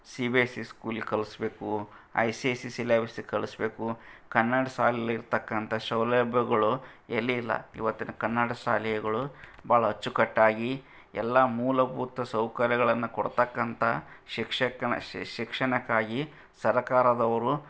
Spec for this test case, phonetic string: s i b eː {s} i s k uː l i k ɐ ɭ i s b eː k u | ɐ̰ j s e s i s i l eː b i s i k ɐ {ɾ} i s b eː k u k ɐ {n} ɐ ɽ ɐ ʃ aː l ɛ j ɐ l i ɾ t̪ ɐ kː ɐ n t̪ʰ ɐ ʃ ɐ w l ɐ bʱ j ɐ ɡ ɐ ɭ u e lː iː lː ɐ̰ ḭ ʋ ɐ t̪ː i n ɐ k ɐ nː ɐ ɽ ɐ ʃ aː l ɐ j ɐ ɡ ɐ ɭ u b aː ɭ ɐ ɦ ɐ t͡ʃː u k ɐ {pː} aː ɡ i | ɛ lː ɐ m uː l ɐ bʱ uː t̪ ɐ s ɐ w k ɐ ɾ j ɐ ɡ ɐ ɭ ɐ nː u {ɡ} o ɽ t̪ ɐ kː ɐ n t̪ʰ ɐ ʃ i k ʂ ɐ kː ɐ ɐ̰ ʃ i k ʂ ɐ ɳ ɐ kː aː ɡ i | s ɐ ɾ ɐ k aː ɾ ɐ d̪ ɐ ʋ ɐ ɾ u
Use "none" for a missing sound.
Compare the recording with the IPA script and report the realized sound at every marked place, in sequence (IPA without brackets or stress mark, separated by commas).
s, ɭ, nː, ʈː, k